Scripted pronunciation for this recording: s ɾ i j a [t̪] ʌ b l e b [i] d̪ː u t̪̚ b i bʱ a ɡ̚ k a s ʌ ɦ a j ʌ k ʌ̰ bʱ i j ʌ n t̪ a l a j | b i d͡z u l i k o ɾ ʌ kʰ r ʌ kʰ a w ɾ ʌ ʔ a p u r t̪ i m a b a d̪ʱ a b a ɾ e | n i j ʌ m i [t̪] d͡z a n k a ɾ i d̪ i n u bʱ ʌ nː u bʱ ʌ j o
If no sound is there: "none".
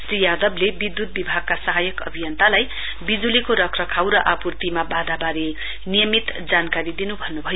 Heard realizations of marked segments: d̪, i, t̪

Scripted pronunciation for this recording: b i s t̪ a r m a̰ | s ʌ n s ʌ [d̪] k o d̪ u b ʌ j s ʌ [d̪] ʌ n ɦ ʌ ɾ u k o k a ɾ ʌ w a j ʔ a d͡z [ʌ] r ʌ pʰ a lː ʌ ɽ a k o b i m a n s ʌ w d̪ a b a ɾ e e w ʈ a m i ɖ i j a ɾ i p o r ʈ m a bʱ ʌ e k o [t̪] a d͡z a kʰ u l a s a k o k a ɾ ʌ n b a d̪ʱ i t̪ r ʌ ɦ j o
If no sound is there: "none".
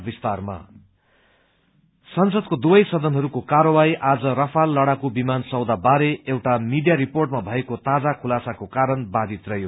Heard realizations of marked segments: d̪, d̪, ʌ, t̪

